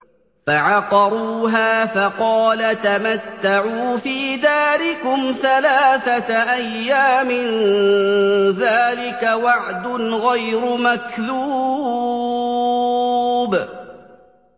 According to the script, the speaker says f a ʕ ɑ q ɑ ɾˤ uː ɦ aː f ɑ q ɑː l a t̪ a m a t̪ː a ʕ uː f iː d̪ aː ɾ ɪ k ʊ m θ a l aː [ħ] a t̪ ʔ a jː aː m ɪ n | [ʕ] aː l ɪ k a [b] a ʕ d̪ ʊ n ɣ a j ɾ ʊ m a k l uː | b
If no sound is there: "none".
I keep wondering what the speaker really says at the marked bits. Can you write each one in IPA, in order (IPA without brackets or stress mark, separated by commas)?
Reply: θ, ð, w